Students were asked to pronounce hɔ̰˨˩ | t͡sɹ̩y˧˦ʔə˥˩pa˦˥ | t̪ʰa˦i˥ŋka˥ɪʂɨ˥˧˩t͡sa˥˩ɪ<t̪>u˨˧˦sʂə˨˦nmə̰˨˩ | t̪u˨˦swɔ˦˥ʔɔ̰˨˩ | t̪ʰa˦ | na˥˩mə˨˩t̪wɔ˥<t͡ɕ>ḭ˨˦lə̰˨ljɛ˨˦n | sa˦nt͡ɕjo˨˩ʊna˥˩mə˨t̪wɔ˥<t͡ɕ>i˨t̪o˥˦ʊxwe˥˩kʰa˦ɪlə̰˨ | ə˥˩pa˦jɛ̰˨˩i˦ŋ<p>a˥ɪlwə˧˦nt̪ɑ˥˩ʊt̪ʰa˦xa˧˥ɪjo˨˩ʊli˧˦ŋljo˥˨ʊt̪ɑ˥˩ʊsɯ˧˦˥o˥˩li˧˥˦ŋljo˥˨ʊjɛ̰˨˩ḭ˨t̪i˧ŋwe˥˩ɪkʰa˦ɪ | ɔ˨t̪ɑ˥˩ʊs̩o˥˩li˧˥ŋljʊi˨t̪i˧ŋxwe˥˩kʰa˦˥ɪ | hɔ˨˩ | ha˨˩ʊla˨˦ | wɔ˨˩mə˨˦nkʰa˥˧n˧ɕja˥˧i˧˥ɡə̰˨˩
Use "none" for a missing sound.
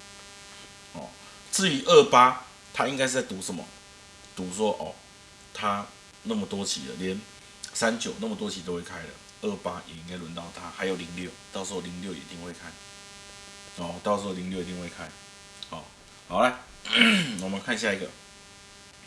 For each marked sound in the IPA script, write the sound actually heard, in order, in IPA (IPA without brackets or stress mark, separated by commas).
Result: t̪, t͡ɕʰ, t͡ɕʰ, k